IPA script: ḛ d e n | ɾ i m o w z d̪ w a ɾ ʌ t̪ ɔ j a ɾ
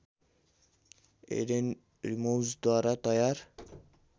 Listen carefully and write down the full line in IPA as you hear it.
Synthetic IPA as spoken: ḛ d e n | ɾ i m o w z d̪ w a ɾ a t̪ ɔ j a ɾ